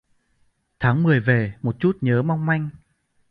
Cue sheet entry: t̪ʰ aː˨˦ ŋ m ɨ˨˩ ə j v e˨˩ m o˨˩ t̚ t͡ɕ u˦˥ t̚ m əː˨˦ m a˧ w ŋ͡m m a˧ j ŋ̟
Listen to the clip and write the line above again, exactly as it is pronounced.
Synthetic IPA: t̪ʰ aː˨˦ ŋ m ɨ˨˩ ə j v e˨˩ m o˨˩ t̚ t͡ɕ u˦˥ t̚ ɲ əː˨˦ m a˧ w ŋ͡m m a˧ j ŋ̟